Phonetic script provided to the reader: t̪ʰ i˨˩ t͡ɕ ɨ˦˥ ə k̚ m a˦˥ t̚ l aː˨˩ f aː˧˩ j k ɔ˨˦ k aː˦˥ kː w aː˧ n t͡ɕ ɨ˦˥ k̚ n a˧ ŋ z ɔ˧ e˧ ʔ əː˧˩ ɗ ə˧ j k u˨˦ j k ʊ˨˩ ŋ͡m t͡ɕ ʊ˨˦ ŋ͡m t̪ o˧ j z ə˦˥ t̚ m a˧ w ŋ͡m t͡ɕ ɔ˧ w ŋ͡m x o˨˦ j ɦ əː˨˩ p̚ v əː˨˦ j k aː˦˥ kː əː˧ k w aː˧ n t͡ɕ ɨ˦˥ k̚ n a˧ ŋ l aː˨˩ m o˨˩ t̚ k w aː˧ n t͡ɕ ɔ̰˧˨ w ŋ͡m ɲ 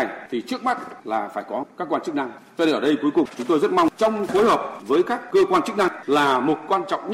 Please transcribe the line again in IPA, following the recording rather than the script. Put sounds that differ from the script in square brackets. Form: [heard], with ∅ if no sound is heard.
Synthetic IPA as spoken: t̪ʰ i˨˩ t͡ɕ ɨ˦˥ ə k̚ m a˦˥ t̚ l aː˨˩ f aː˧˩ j k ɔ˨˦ k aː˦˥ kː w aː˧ n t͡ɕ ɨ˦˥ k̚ n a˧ ŋ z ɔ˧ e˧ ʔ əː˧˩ ɗ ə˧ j k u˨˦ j k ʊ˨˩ ŋ͡m t͡ɕ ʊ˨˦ ŋ͡m t̪ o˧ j z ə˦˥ t̚ m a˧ w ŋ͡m t͡ɕ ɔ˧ w ŋ͡m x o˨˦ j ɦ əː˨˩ p̚ v əː˨˦ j k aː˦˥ kː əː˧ k w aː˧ n t͡ɕ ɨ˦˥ k̚ n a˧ ŋ l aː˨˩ m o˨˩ t̚ k w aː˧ n t͡ɕ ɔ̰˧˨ w ŋ͡m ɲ